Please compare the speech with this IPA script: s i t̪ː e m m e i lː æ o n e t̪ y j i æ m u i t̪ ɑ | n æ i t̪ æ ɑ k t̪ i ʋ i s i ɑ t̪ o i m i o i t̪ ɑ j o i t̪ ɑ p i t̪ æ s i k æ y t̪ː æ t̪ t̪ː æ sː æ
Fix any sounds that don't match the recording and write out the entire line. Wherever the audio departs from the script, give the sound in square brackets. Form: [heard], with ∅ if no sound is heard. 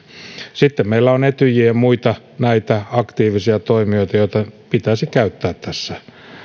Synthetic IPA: s i t̪ː e m m e i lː æ o n e t̪ y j i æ m u i t̪ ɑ | n æ i t̪ æ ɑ k t̪ [iː] ʋ i s i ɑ t̪ o i m i o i t̪ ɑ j o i t̪ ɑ p i t̪ æ s i k æ y t̪ː [æː] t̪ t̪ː æ sː æ